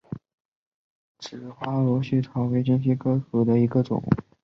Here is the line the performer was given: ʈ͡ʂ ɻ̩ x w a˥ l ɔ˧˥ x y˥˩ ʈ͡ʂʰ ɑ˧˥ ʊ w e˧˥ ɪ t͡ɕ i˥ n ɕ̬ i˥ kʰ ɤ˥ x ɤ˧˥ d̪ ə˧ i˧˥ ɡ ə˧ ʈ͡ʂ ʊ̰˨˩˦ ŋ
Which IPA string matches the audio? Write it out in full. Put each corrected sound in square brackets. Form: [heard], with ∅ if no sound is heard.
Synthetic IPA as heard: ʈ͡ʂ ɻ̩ x w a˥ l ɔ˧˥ [ɕ] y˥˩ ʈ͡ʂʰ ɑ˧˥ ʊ w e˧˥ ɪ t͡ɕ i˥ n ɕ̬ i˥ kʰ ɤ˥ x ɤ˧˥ d̪ ə˧ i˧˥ ɡ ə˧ ʈ͡ʂ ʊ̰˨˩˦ ŋ